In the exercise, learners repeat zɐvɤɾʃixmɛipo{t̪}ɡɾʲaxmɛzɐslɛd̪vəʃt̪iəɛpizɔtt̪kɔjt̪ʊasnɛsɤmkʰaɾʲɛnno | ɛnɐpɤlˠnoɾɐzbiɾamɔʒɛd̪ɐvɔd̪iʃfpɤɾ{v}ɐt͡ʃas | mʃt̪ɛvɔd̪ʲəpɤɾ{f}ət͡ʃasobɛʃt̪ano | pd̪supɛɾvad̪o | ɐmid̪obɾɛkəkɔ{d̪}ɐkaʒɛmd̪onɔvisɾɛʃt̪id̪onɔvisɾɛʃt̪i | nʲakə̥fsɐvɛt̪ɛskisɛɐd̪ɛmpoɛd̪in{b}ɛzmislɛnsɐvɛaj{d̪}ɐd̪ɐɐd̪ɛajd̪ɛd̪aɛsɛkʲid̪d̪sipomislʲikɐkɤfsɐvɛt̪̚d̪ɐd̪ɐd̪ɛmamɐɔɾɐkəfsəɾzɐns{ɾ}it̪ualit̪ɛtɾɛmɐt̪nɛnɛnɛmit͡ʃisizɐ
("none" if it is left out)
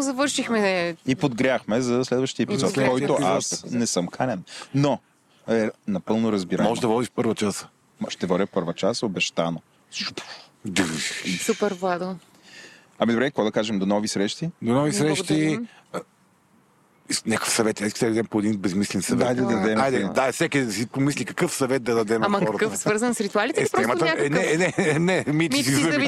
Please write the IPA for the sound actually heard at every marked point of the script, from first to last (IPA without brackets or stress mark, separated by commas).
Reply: d̪, v, v, d̪, b, d̪, ɾ